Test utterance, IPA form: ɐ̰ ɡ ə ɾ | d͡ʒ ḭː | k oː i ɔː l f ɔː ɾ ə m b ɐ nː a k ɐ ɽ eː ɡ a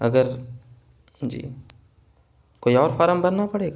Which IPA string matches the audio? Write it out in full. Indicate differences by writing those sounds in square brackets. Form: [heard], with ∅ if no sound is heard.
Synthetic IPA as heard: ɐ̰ ɡ ə ɾ | d͡ʒ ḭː | k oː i ɔː [ɾ] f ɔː ɾ ə m b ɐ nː a [p] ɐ ɽ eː ɡ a